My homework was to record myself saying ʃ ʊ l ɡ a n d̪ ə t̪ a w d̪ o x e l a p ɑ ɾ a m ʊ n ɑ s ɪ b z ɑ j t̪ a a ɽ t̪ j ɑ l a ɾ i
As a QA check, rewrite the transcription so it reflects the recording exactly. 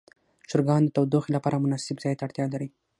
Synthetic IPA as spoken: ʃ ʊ ɾ ɡ ɑ n d̪ ə t̪ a w d̪ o x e l a p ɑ ɾ a m ʊ n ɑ s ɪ b z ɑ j t̪ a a ɽ t̪ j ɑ l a ɾ i

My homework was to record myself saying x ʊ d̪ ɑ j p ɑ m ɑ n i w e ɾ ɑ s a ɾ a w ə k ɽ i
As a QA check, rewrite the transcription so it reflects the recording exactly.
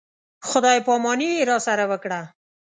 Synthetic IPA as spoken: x ʊ d̪ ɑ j p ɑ m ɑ n i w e ɾ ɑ s a ɾ a w ə k ɽ a

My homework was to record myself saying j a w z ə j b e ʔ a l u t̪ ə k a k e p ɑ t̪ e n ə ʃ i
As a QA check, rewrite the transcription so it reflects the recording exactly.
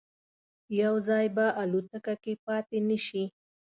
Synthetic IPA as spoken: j a w z ɑ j b a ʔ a l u t̪ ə k a k e p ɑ t̪ e n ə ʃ i

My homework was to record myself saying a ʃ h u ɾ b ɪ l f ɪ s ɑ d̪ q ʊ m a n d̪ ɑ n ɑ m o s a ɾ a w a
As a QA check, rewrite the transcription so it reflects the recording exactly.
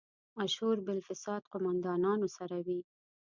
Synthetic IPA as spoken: a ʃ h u ɾ b ɪ l f ɪ s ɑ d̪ q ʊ m a n d̪ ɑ n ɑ n o s a ɾ a w i

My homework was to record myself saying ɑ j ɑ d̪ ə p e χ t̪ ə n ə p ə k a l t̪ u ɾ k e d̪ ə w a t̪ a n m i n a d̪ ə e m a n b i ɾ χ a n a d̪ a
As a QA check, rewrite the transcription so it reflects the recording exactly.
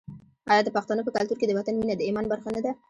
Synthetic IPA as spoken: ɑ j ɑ d̪ ə p a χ t̪ ɑ n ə p ə k a l t̪ u ɾ k e d̪ ə w a t̪ a n m i n a d̪ ə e m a n b a ɾ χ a n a d̪ a

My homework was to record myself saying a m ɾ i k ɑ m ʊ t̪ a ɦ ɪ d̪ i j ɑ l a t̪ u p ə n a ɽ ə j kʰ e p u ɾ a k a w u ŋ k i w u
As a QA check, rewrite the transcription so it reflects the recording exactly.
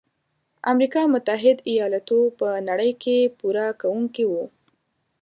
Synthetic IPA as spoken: a m ɾ i k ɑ m ʊ t̪ a ɦ ɪ d̪ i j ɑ l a t̪ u p ə n a ɽ ə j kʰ e p u ɾ a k a w u ŋ k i w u

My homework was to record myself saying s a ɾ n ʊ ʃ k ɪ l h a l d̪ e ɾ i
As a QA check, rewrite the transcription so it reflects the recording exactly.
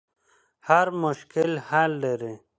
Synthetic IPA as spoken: h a ɾ m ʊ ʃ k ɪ l h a l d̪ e ɾ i

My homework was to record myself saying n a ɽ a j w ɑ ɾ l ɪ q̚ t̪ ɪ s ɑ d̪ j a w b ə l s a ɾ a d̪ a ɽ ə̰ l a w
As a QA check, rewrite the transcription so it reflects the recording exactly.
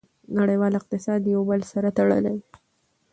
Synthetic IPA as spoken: n a ɽ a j w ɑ l ɪ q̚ t̪ ɪ s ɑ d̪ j a w b ə l s a ɾ a t̪ a ɽ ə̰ l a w

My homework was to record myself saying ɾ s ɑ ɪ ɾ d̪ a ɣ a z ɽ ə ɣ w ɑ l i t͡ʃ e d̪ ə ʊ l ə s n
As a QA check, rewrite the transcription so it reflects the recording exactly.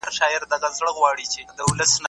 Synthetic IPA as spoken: ɾ ʃ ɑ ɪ ɾ d̪ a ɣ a z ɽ ə ɣ w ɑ ɽ i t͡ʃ e d̪ ə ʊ l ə s n

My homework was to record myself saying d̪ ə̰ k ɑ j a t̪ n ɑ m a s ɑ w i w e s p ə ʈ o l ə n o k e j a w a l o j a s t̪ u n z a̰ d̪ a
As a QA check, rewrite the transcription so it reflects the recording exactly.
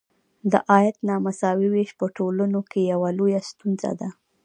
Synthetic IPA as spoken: d̪ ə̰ ʔ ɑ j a t̪ n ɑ m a s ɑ w i w e ʃ p ə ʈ o l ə n o k e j a w a l o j a s t̪ u n z a̰ d̪ a

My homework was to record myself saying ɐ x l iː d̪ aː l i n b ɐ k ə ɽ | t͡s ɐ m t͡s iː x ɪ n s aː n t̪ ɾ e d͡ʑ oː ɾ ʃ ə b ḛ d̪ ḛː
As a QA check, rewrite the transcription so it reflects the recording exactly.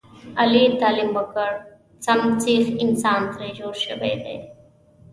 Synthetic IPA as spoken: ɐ l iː t̪ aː l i m b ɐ k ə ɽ | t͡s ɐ m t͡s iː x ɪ n s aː n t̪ ɾ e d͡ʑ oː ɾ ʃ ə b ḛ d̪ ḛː

